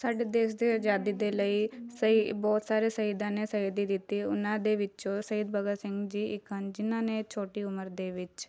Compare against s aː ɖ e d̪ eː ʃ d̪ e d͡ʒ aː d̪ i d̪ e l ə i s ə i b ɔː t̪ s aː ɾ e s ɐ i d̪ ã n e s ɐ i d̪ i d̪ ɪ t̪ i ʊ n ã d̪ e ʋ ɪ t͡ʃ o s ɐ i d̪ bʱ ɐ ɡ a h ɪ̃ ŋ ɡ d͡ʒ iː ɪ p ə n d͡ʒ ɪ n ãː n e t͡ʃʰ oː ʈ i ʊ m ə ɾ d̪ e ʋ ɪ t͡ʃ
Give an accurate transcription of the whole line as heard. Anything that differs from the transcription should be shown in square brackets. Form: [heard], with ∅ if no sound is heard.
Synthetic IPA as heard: s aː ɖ e d̪ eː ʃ d̪ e d͡ʒ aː d̪ i d̪ e l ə i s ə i b ɔː t̪ s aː ɾ e s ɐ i d̪ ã n e s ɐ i d̪ i d̪ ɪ t̪ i ʊ n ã d̪ e ʋ ɪ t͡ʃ o s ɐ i d̪ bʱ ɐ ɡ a [s] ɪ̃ ŋ ɡ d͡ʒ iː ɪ [k] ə n d͡ʒ ɪ n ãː n e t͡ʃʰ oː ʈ i ʊ m ə ɾ d̪ e ʋ ɪ t͡ʃ

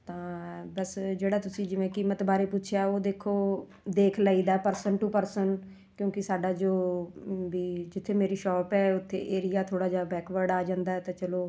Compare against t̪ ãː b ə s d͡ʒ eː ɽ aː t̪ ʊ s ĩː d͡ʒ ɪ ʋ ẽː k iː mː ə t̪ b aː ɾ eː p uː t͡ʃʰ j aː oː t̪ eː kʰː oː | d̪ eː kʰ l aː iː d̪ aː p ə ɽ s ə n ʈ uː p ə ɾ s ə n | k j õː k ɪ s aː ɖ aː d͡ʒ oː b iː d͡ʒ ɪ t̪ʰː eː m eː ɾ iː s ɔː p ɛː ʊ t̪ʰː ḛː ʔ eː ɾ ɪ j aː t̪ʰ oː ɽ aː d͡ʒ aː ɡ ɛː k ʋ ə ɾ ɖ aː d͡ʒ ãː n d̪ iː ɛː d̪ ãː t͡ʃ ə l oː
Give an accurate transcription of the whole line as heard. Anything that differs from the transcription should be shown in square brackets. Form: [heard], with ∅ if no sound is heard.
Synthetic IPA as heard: t̪ ãː b ə s d͡ʒ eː ɽ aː t̪ ʊ s ĩː d͡ʒ ɪ ʋ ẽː k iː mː ə t̪ b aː ɾ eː p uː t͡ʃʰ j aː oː [d̪] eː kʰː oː | d̪ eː kʰ l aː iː d̪ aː p ə [ɾ] s ə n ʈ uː p ə ɾ s ə n | k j õː k ɪ s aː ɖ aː d͡ʒ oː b iː d͡ʒ ɪ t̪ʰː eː m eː ɾ iː [ʃ] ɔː p ɛː ʊ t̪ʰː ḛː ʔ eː ɾ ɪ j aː t̪ʰ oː ɽ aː d͡ʒ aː [b] ɛː k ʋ ə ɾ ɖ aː d͡ʒ ãː n d̪ [aː] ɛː [t̪] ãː t͡ʃ ə l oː

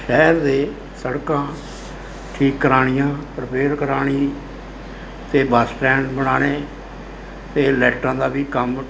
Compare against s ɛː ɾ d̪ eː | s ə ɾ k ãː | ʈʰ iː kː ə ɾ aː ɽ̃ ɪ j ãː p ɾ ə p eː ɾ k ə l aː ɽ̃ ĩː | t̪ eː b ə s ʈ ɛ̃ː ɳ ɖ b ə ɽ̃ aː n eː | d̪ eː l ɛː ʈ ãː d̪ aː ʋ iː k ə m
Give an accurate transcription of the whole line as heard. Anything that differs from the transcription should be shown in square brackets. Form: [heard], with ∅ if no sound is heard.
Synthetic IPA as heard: [ʃ] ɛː ɾ d̪ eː | s ə [ɽ] k ãː | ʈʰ iː kː ə ɾ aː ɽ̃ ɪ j ãː p ɾ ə p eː ɾ k ə [ɾ] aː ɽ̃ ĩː | t̪ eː b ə s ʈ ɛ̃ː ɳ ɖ b ə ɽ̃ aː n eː | [t̪] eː l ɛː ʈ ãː d̪ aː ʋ iː k ə m

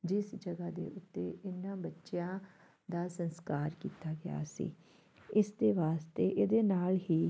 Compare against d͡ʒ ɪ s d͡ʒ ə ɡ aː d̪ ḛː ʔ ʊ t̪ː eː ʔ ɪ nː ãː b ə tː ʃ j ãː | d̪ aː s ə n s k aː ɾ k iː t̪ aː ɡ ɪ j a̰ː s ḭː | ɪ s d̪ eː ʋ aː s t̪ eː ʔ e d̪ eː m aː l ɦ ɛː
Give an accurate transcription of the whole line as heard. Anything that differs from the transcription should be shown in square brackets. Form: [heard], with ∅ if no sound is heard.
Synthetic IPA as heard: d͡ʒ ɪ s d͡ʒ ə ɡ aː d̪ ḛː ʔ ʊ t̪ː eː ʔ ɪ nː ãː b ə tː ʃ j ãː | d̪ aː s ə n s k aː ɾ k iː t̪ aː ɡ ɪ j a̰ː s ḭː | ɪ s d̪ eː ʋ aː s t̪ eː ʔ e d̪ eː [n] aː l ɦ [iː]

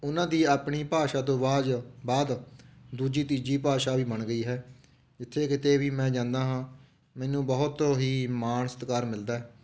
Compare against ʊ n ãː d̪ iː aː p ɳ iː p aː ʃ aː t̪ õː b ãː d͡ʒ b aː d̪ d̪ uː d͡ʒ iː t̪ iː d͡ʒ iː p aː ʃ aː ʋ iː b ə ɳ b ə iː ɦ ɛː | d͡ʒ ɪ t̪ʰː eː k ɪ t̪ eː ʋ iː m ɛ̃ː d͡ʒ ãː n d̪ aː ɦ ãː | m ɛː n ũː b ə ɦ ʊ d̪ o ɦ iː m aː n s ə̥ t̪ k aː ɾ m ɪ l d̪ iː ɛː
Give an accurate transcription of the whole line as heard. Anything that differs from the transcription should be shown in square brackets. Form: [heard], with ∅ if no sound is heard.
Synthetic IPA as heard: ʊ n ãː d̪ iː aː p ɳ iː p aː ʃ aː t̪ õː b [aː] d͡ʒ b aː d̪ d̪ uː d͡ʒ iː t̪ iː d͡ʒ iː p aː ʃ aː ʋ iː b ə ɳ [ɡ] ə iː ɦ ɛː | d͡ʒ ɪ t̪ʰː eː k ɪ t̪ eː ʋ iː m ɛ̃ː d͡ʒ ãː n d̪ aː ɦ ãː | m ɛː n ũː b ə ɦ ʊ [t̪] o ɦ iː m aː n s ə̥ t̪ k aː ɾ m ɪ l d̪ [aː] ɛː

